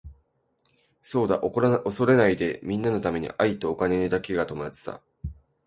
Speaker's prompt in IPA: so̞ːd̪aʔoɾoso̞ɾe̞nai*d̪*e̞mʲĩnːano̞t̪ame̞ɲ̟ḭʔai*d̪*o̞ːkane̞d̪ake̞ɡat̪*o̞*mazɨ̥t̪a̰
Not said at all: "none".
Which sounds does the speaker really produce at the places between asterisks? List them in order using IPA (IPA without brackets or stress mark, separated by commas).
d̪, t̪, o̞